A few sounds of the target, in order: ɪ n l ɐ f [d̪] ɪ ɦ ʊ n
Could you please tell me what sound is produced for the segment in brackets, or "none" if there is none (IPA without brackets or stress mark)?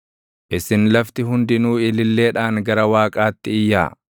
t̪